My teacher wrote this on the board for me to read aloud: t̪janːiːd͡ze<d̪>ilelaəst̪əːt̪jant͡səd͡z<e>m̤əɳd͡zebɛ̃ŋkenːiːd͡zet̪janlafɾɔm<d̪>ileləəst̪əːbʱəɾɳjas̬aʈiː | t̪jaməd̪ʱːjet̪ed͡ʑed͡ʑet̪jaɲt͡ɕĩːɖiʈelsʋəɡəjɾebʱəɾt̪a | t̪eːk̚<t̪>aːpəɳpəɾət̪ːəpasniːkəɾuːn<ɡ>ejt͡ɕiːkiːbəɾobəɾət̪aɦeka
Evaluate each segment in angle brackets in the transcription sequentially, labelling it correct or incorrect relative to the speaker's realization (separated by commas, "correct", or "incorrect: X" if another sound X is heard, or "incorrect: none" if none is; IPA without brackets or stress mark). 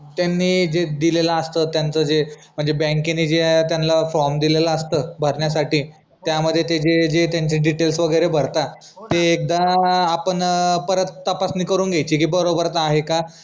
correct, correct, correct, incorrect: d̪, correct